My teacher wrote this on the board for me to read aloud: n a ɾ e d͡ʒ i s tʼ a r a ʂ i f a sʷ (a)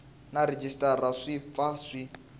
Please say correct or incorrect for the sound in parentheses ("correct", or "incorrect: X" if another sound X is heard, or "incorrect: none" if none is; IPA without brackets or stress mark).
incorrect: i